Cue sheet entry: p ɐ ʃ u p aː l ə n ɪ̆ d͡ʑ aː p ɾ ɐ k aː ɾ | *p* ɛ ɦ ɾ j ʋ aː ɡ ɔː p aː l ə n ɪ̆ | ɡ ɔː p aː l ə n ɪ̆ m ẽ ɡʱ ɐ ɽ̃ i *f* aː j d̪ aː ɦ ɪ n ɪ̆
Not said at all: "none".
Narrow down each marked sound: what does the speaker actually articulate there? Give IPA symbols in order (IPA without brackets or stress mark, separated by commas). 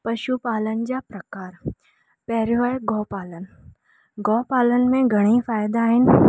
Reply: p, f